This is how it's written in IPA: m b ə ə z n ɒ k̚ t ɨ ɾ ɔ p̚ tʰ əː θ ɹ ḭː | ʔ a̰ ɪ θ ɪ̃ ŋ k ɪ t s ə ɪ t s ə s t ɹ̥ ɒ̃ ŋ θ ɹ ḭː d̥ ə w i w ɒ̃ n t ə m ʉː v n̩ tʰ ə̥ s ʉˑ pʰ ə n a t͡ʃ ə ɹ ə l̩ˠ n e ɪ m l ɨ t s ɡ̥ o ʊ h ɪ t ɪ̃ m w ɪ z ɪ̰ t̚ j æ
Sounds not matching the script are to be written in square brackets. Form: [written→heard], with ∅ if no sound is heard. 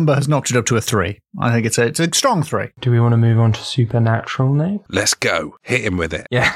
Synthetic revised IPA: m b ə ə z n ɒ k̚ t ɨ ɾ [ɔ→ʌ] p̚ tʰ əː θ ɹ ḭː | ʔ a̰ ɪ θ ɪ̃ ŋ k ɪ t s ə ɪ t s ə s t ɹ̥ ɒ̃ ŋ θ ɹ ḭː d̥ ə w i w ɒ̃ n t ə m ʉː v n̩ tʰ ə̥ s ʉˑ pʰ ə n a t͡ʃ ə ɹ ə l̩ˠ n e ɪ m l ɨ t s ɡ̥ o ʊ h ɪ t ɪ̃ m w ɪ [z→ð] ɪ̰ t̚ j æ